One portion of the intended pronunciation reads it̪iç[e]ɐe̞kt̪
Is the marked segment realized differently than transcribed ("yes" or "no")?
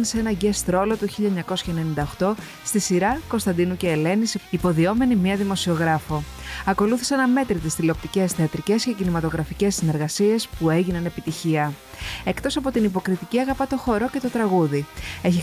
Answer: yes